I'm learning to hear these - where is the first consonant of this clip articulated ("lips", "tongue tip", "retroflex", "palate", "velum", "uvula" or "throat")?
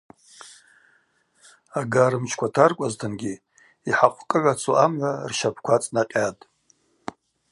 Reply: velum